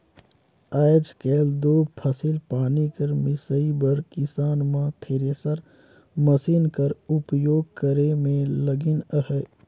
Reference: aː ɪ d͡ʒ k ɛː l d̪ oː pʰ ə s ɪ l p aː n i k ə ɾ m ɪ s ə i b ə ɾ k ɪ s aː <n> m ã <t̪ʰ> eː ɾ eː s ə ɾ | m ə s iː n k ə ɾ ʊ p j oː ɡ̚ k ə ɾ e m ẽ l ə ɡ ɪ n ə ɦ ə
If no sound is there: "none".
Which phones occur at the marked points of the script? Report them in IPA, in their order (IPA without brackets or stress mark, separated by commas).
n, t̪ʰ